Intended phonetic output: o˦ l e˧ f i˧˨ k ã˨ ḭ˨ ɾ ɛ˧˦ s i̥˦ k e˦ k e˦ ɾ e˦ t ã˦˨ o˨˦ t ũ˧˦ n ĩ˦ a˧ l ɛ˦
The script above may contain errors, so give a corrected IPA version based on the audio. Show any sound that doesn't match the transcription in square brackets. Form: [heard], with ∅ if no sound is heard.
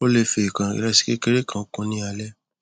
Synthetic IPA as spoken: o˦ l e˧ f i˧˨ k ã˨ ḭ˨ ɾ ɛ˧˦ s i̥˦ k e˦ k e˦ ɾ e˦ [k] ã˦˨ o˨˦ [k] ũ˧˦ n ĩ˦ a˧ l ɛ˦